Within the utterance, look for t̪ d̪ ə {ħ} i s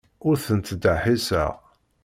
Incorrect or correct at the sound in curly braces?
correct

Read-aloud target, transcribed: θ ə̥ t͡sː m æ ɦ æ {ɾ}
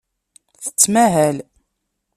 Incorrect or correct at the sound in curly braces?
incorrect: l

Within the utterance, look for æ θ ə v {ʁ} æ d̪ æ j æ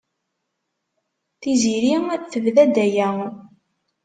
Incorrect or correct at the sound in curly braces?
incorrect: ð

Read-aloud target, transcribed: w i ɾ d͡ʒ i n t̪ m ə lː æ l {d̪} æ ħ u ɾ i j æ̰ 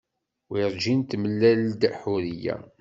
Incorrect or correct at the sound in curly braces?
correct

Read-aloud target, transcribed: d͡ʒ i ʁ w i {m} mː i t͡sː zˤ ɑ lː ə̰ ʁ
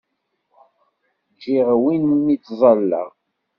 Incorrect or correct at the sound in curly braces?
incorrect: n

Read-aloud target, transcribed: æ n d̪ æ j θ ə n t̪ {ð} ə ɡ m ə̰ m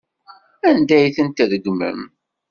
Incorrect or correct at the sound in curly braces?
correct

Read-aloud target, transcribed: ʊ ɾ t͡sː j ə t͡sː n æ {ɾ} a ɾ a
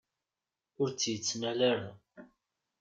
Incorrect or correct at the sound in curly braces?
incorrect: l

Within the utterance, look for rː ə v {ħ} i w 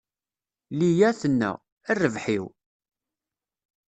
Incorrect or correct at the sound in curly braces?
correct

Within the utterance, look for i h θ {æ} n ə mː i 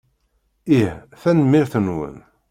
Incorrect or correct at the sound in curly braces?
correct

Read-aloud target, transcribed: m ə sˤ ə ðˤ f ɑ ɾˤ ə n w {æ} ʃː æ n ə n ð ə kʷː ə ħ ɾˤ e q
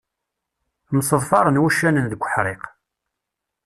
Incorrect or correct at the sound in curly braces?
correct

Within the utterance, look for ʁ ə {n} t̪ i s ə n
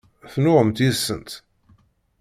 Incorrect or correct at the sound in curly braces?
incorrect: m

